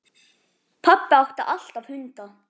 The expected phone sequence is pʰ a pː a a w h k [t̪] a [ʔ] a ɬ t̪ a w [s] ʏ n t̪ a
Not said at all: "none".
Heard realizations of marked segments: t̪, ʔ, h

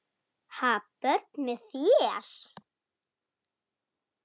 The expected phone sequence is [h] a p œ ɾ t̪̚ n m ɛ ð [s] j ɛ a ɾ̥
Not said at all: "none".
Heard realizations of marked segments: h, θ

